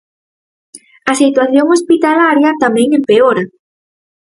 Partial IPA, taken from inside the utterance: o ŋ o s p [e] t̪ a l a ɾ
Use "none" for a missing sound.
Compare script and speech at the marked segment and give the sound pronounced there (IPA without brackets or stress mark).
i